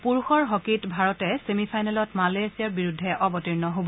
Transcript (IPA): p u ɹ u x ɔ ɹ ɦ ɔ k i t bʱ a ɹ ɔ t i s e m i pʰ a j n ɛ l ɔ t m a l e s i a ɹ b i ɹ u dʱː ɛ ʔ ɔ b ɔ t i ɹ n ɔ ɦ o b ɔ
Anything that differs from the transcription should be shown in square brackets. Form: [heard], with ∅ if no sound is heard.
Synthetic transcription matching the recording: p u ɹ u x ɔ ɹ ɦ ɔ k i t bʱ a ɹ ɔ t [ɛ] s e m i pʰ a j n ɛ l ɔ t m a l e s i a ɹ b i ɹ u dʱː ɛ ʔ ɔ b ɔ t i ɹ n ɔ ɦ o b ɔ